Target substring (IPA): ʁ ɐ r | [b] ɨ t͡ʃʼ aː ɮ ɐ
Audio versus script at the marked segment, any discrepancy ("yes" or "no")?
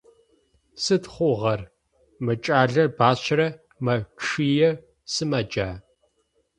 yes